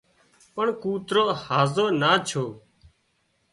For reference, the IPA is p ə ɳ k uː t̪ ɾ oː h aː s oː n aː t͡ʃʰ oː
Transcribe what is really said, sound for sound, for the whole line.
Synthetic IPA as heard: p ə ɳ k uː t̪ ɾ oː h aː z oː n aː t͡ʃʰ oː